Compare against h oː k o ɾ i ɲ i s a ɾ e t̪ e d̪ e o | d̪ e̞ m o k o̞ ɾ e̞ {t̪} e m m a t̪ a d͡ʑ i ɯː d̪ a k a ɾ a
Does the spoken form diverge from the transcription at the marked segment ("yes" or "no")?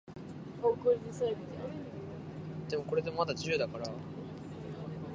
yes